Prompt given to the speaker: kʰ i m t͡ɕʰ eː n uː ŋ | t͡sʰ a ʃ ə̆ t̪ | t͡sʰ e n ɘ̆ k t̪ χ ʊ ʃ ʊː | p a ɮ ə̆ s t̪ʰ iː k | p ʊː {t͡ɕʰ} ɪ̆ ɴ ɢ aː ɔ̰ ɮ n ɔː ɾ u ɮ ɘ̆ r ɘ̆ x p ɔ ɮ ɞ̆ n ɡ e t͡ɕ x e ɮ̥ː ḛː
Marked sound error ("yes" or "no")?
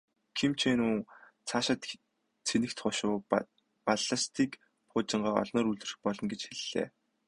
yes